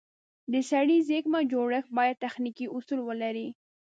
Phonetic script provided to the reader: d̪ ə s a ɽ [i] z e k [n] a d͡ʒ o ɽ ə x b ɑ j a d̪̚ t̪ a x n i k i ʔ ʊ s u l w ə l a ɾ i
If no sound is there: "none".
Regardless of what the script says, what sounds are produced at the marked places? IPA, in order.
i, m

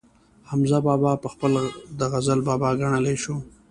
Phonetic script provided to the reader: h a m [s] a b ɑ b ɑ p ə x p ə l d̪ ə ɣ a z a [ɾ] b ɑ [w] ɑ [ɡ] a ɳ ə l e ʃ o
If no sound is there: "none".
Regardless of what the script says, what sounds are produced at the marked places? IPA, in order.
z, l, b, ɡ

